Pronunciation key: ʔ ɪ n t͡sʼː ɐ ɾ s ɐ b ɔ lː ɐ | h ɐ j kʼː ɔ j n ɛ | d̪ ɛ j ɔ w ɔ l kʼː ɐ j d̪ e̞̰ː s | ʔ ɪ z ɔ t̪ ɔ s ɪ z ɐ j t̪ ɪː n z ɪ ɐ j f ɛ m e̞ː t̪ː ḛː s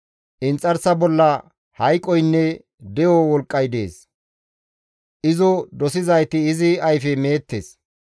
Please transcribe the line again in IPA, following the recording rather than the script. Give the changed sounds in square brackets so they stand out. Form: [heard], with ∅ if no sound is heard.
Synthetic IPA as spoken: ʔ ɪ n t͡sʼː ɐ ɾ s ɐ b ɔ lː ɐ | h ɐ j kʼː ɔ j [nː] ɛ | d̪ ɛ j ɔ w ɔ l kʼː ɐ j d̪ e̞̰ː s | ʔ ɪ z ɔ [d̪] ɔ s ɪ z ɐ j t̪ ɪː [∅] z ɪ ɐ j f ɛ m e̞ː t̪ː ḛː s